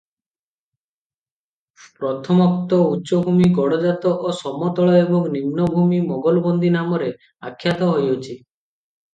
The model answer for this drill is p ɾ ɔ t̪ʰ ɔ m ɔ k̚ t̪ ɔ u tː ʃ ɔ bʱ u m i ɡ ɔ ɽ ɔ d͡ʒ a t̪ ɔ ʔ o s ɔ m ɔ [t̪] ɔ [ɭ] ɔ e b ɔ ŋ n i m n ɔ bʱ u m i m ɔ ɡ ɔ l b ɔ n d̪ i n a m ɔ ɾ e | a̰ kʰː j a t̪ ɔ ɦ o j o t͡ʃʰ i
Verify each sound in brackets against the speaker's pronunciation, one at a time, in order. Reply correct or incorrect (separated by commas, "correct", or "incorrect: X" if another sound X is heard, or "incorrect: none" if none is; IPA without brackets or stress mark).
correct, correct